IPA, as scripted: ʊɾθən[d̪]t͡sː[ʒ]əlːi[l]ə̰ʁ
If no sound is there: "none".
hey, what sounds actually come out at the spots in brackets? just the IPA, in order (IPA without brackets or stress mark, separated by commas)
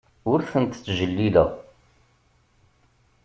t̪, ʒ, l